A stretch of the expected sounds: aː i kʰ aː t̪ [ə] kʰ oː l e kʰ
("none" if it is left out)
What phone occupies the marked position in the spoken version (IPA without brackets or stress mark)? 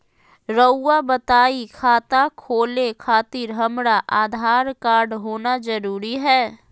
a